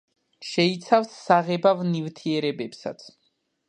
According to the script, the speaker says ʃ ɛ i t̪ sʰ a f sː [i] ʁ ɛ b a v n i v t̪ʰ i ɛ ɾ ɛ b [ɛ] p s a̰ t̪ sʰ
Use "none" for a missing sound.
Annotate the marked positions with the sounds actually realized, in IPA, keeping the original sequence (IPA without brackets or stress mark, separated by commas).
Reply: a, ɛ